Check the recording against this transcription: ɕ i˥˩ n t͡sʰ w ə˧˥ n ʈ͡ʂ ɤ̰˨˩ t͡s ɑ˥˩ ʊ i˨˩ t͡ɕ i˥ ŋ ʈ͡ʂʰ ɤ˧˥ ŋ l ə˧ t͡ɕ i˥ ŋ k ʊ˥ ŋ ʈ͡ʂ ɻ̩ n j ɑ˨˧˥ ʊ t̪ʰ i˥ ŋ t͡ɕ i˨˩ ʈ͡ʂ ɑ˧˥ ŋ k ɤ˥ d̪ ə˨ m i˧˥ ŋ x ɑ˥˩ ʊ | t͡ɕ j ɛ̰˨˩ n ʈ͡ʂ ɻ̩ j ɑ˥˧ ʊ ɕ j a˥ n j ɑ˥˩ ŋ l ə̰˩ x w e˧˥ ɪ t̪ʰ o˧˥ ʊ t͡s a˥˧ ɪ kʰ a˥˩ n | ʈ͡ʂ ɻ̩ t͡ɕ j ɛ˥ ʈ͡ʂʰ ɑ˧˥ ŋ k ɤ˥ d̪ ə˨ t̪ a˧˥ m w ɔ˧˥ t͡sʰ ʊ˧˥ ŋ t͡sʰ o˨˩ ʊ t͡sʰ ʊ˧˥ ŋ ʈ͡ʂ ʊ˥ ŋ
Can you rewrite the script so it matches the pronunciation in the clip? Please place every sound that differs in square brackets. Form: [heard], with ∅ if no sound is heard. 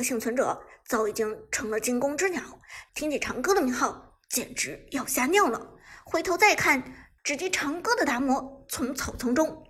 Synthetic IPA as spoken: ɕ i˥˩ [ŋ] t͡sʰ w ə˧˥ n ʈ͡ʂ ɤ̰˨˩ t͡s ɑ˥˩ ʊ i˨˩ t͡ɕ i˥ ŋ ʈ͡ʂʰ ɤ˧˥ ŋ l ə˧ t͡ɕ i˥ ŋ k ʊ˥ ŋ ʈ͡ʂ ɻ̩ n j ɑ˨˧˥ ʊ t̪ʰ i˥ ŋ t͡ɕ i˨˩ [ʈ͡ʂʰ] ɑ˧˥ ŋ k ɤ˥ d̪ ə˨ m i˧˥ ŋ x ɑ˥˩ ʊ | t͡ɕ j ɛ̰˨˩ n ʈ͡ʂ ɻ̩ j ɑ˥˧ ʊ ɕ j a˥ n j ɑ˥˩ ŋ l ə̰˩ x w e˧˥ ɪ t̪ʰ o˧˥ ʊ t͡s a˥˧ ɪ kʰ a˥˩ n | ʈ͡ʂ ɻ̩ t͡ɕ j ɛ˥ ʈ͡ʂʰ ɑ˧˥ ŋ k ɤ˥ d̪ ə˨ t̪ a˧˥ m w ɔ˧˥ t͡sʰ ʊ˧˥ ŋ t͡sʰ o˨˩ ʊ t͡sʰ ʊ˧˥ ŋ ʈ͡ʂ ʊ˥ ŋ